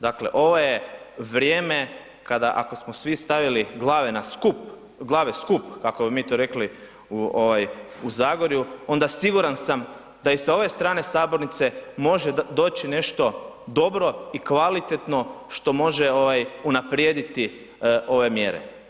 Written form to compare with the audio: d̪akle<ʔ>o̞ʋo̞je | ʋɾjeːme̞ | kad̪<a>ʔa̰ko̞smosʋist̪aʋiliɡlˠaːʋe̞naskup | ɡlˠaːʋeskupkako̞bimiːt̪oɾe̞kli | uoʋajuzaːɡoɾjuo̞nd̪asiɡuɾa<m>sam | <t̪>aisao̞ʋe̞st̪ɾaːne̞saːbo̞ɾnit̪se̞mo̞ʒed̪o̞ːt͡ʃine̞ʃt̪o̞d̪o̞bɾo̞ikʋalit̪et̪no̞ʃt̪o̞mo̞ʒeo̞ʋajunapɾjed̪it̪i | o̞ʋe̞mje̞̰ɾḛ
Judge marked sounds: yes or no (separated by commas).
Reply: yes, yes, no, no